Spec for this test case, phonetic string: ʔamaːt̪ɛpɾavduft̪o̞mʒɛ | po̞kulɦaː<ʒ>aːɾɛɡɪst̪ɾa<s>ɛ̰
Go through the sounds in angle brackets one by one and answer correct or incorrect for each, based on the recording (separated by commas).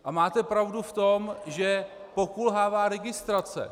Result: incorrect, incorrect